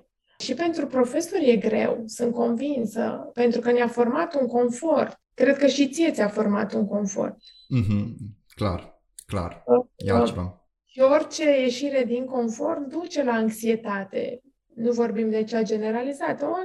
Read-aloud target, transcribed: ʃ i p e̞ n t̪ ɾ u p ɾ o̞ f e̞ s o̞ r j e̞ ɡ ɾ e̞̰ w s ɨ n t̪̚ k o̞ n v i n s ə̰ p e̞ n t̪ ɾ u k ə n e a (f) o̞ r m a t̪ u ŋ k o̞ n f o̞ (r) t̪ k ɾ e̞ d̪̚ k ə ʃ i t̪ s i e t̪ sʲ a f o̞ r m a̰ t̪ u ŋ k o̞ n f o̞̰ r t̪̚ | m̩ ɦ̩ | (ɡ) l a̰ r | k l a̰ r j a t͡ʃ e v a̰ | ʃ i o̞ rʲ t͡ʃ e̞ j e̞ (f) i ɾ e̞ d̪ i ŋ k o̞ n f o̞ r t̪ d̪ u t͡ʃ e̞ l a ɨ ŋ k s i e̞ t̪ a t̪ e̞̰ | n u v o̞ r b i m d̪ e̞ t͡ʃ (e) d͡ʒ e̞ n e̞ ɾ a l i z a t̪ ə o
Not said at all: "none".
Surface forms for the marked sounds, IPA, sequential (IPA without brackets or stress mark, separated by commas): f, r, k, ʃ, a